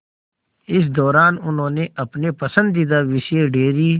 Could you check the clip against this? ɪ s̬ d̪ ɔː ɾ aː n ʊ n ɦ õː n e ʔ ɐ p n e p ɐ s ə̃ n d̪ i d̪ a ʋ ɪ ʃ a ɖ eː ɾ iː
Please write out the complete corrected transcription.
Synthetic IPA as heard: ɪ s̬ d̪ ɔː ɾ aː n ʊ n ɦ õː n e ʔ ɐ p n e p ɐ s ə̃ n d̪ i d̪ a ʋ ɪ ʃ e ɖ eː ɾ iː